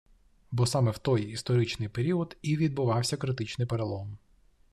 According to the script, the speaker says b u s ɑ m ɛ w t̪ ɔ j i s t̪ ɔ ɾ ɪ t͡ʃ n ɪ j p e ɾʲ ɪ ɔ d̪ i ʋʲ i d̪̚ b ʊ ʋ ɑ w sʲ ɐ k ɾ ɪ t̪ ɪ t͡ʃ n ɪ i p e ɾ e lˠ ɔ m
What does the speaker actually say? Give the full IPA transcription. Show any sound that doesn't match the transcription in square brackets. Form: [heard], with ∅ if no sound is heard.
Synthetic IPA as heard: b [ɔ] s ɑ m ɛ w t̪ ɔ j i s t̪ ɔ ɾ ɪ t͡ʃ n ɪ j p e ɾʲ [i] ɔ d̪ i ʋʲ i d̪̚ b ʊ ʋ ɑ w sʲ ɐ k ɾ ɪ t̪ ɪ t͡ʃ n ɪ [j] p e ɾ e lˠ ɔ m

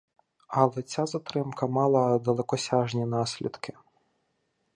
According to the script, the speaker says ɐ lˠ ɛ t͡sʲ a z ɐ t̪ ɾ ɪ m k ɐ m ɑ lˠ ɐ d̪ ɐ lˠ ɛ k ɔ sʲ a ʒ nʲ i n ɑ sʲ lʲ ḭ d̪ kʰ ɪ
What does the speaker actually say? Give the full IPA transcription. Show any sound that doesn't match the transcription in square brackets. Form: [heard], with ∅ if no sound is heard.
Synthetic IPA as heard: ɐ lˠ ɛ t͡sʲ a z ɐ t̪ ɾ ɪ m k ɐ m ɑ lˠ ɐ d̪ ɐ lˠ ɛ k ɔ sʲ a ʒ nʲ i n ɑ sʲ lʲ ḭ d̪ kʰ ɪ

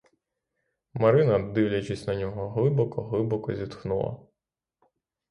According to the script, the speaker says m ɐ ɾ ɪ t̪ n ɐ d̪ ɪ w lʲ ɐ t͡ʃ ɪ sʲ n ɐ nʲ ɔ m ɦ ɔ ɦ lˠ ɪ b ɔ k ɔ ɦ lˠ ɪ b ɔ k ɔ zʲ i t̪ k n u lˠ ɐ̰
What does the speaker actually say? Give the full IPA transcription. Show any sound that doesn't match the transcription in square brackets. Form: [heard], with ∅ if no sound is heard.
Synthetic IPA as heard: m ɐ ɾ ɪ [∅] n ɐ d̪ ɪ w lʲ ɐ t͡ʃ ɪ sʲ n ɐ nʲ ɔ [∅] ɦ ɔ ɦ lˠ ɪ b ɔ k ɔ ɦ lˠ ɪ b ɔ k ɔ zʲ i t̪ [x] n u lˠ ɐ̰

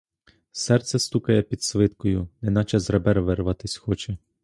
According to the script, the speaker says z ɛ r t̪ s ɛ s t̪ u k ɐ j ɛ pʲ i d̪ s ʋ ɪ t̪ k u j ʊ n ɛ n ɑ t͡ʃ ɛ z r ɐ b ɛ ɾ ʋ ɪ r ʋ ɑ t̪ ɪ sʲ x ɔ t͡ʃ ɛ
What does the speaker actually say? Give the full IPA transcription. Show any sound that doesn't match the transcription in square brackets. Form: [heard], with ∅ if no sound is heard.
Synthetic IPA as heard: [s] ɛ r t̪ s ɛ s t̪ u k ɐ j ɛ pʲ i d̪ s ʋ ɪ t̪ k [ɔ] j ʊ n ɛ n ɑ t͡ʃ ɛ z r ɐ b ɛ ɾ ʋ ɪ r ʋ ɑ t̪ ɪ sʲ x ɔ t͡ʃ ɛ

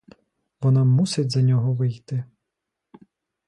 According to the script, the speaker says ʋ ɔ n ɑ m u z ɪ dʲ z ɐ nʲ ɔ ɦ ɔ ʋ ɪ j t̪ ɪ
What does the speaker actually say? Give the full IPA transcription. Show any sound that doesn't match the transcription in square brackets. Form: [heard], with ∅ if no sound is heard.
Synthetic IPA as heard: ʋ ɔ n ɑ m u [s] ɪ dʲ z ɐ nʲ ɔ ɦ ɔ ʋ ɪ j t̪ ɪ

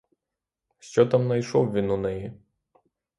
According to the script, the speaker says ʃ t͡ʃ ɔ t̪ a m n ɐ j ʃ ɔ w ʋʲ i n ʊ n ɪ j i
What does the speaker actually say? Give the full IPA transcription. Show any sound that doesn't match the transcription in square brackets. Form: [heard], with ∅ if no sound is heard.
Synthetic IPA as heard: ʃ t͡ʃ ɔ t̪ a m n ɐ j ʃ ɔ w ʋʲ i n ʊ n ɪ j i

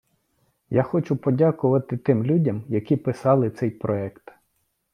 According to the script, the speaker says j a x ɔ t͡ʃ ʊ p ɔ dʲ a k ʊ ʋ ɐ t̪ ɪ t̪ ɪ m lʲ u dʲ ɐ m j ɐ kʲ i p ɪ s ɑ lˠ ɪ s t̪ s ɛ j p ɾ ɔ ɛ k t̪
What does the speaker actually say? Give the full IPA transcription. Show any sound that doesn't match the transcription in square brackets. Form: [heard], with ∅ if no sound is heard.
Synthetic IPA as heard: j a x ɔ t͡ʃ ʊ p ɔ dʲ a k ʊ ʋ ɐ t̪ ɪ t̪ ɪ m lʲ u dʲ ɐ m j ɐ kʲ i p ɪ s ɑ lˠ ɪ [∅] t̪ s ɛ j p ɾ ɔ ɛ k t̪

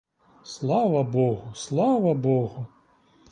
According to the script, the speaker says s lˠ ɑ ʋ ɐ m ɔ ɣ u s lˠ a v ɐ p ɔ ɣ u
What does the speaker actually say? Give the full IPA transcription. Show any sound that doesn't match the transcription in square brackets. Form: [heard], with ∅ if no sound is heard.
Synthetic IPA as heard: s lˠ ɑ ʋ ɐ [b] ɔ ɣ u s lˠ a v ɐ [b] ɔ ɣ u

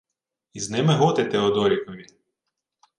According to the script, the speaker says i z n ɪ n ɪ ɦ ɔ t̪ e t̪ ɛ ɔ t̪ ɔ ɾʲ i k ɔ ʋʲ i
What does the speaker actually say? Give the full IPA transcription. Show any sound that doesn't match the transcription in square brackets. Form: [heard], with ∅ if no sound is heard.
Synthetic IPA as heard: i z n ɪ [m] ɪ ɦ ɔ t̪ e t̪ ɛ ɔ [d̪] ɔ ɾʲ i k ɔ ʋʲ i

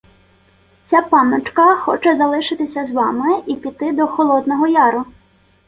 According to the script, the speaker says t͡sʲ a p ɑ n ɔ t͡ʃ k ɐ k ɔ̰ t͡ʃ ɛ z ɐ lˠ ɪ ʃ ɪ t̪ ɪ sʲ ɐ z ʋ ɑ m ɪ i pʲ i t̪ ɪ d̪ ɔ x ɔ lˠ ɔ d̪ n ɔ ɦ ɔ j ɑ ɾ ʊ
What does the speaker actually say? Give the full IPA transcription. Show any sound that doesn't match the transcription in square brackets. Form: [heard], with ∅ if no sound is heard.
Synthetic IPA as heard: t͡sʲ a p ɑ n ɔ t͡ʃ k ɐ [x] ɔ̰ t͡ʃ ɛ z ɐ lˠ ɪ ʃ ɪ t̪ ɪ sʲ ɐ z ʋ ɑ m ɪ i pʲ i t̪ ɪ d̪ ɔ x ɔ lˠ ɔ d̪ n ɔ ɦ ɔ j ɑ ɾ ʊ

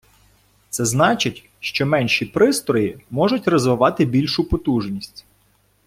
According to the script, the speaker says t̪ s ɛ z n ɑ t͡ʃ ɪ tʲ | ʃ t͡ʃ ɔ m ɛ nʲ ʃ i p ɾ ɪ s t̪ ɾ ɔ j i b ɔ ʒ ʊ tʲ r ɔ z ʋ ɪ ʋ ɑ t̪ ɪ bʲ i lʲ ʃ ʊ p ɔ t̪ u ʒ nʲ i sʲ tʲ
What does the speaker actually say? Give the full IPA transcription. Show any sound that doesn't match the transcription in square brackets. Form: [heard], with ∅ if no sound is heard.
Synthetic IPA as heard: t̪ s ɛ z n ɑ t͡ʃ ɪ tʲ | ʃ t͡ʃ ɔ m ɛ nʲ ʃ i p ɾ ɪ s t̪ ɾ ɔ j i [m] ɔ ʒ ʊ tʲ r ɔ z ʋ ɪ ʋ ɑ t̪ ɪ bʲ i lʲ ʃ ʊ p ɔ t̪ u ʒ nʲ i sʲ tʲ

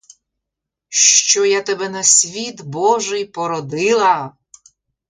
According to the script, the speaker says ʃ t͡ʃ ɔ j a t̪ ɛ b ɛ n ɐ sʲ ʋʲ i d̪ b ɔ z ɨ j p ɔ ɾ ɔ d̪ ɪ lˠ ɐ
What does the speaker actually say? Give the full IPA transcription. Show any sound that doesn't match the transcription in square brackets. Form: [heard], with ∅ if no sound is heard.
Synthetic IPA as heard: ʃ t͡ʃ ɔ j a t̪ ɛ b ɛ n ɐ sʲ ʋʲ i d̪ b ɔ [ʒ] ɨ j p ɔ ɾ ɔ d̪ ɪ lˠ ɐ

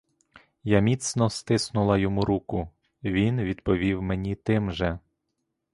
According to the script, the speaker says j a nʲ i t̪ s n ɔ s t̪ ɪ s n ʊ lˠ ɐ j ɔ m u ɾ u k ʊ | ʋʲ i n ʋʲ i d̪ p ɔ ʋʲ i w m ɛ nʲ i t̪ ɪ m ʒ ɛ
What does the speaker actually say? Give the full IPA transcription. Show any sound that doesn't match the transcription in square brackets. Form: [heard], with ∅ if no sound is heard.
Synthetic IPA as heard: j a [mʲ] i t̪ s n ɔ s t̪ ɪ s n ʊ lˠ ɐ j ɔ m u ɾ u k ʊ | ʋʲ i n ʋʲ i d̪ p ɔ ʋʲ i w m [e] nʲ i t̪ ɪ m ʒ ɛ

